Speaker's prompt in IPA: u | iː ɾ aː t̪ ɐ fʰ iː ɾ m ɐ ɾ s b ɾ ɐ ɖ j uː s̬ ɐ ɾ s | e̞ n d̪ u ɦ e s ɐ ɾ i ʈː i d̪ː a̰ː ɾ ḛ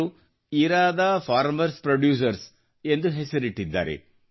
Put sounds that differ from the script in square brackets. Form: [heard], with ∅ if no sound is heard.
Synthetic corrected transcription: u | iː ɾ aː [d̪] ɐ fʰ [aː] ɾ m ɐ ɾ s [p] ɾ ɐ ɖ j uː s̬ ɐ ɾ s | e̞ n d̪ u ɦ e s ɐ ɾ i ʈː i d̪ː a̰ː ɾ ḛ

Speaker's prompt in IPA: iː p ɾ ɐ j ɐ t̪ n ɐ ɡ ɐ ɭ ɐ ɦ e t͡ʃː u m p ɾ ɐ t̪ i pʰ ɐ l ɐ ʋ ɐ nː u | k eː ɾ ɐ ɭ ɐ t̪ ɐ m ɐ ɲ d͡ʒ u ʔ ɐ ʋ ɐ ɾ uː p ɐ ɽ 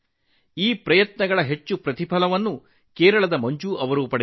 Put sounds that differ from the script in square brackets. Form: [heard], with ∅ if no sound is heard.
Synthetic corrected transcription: iː p ɾ ɐ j ɐ t̪ n ɐ ɡ ɐ ɭ ɐ ɦ e t͡ʃː u [∅] p ɾ ɐ t̪ i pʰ ɐ l ɐ ʋ ɐ nː u | k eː ɾ ɐ ɭ ɐ [d̪] ɐ m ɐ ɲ d͡ʒ u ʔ ɐ ʋ ɐ ɾ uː p ɐ ɽ

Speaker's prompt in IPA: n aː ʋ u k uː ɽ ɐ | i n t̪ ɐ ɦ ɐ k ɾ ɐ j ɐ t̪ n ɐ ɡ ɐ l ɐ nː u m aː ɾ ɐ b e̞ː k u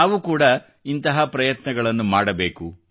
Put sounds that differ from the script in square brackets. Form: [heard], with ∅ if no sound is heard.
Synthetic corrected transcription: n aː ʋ u k uː ɽ ɐ | i n t̪ ɐ ɦ ɐ [p] ɾ ɐ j ɐ t̪ n ɐ ɡ ɐ [ɭ] ɐ nː u m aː [ɽ] ɐ b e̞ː k u

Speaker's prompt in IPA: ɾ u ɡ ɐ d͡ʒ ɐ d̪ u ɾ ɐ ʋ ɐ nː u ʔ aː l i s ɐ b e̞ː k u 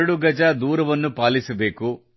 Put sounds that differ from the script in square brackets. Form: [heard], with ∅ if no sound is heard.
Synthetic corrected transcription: [ɽ] u ɡ ɐ d͡ʒ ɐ d̪ [uː] ɾ ɐ ʋ ɐ nː u [p] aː l i s ɐ b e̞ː k u

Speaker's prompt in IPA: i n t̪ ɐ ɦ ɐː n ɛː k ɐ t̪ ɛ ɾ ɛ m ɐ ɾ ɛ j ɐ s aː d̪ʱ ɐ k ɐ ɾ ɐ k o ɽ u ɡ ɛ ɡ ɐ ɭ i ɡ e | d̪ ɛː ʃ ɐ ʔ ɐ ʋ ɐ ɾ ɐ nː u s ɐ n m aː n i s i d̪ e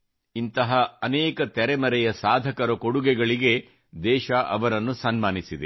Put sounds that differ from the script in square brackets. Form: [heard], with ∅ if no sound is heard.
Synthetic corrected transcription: i n t̪ ɐ ɦ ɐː n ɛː k ɐ t̪ ɛ ɾ ɛ m ɐ ɾ ɛ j ɐ s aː d̪ʱ ɐ k ɐ ɾ ɐ k o ɽ u ɡ ɛ ɡ ɐ ɭ i ɡ e | d̪ ɛː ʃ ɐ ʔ ɐ ʋ ɐ ɾ ɐ nː u s ɐ n m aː n i s i d̪ e

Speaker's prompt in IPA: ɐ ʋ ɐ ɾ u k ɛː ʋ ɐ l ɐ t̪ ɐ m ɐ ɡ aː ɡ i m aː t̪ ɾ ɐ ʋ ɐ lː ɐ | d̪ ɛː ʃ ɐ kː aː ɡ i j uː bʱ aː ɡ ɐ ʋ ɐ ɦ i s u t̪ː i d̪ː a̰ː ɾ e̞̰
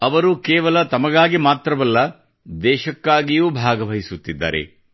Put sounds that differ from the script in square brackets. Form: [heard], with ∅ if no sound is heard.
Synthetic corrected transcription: ɐ ʋ ɐ ɾ u k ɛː ʋ ɐ l ɐ t̪ ɐ m ɐ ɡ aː ɡ i m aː t̪ ɾ ɐ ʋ ɐ lː ɐ | d̪ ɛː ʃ ɐ kː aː ɡ i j uː bʱ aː ɡ ɐ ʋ ɐ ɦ i s u t̪ː i d̪ː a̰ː ɾ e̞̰

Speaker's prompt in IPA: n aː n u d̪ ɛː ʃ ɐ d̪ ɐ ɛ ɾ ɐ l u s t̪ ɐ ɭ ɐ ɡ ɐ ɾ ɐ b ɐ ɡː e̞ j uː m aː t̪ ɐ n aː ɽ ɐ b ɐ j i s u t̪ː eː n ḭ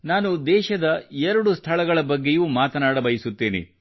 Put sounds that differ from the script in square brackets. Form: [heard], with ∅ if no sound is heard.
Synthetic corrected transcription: n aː n u d̪ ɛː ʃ ɐ d̪ ɐ ɛ ɾ ɐ [ɽ] u s [t̪ʰ] ɐ ɭ ɐ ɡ ɐ [ɭ] ɐ b ɐ ɡː e̞ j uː m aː t̪ ɐ n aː ɽ ɐ b ɐ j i s u t̪ː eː n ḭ

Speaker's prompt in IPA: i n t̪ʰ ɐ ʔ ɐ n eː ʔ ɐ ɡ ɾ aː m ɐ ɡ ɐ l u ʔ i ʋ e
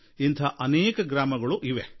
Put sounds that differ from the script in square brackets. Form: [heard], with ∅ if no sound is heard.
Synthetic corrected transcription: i n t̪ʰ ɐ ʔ ɐ n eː [k] ɐ ɡ ɾ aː m ɐ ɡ ɐ [ɭ] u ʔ i ʋ e

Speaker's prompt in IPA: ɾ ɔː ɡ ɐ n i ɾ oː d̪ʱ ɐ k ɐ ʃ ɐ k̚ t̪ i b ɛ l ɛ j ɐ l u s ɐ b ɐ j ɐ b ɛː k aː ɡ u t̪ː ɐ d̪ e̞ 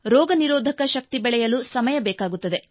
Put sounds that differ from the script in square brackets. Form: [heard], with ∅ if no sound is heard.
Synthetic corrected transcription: ɾ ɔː ɡ ɐ n i ɾ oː d̪ʱ ɐ k ɐ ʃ ɐ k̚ t̪ i b ɛ [ɭ] ɛ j ɐ l u s ɐ [m] ɐ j ɐ b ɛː k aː ɡ u t̪ː ɐ d̪ e̞

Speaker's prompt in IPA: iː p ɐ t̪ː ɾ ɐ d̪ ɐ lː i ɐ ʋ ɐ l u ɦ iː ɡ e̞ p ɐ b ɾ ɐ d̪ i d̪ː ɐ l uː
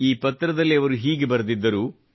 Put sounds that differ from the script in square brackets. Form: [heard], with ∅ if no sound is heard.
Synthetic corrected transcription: iː p ɐ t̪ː ɾ ɐ d̪ ɐ lː i ɐ ʋ ɐ [ɾ] u ɦ iː ɡ e̞ [b] ɐ [∅] ɾ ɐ d̪ i d̪ː ɐ [ɾ] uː

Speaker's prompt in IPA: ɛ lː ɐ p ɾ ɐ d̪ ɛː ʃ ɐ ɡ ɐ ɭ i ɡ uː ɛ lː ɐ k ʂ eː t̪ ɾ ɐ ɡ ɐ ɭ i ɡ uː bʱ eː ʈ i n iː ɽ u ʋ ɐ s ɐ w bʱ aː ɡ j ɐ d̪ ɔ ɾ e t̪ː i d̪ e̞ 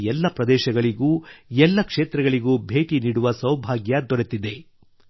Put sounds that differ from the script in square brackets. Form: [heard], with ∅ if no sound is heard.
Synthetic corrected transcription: ɛ lː ɐ p ɾ ɐ d̪ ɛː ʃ ɐ ɡ ɐ ɭ i ɡ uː ɛ lː ɐ k ʂ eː t̪ ɾ ɐ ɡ ɐ ɭ i ɡ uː bʱ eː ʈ i n iː ɽ u ʋ ɐ s ɐ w bʱ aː ɡ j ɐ d̪ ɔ ɾ e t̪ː i d̪ e̞

